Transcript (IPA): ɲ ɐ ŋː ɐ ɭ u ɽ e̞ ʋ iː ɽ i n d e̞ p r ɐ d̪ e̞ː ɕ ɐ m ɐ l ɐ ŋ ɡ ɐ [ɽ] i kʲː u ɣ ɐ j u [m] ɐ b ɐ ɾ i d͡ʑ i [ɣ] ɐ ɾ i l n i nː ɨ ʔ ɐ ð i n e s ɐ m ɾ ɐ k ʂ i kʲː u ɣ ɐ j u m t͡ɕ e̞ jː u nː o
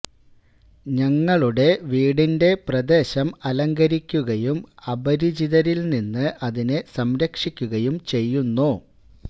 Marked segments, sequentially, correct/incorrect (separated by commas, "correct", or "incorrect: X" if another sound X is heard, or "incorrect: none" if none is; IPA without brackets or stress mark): incorrect: ɾ, correct, incorrect: ð